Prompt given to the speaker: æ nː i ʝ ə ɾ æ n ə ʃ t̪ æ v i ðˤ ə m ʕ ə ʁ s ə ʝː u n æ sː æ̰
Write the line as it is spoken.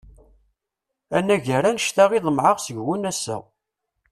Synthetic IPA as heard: æ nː æ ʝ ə ɾ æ n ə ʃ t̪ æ ʁ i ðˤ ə m ʕ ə ʁ s ə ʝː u n æ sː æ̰